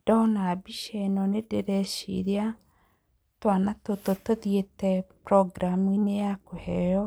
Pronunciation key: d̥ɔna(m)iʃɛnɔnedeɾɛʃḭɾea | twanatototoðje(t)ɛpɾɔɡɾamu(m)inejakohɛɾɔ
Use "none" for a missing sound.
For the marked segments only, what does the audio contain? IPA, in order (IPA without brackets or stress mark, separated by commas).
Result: b, t, none